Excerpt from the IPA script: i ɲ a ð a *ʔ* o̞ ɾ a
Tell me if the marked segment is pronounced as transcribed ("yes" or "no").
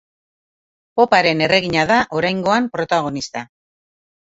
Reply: yes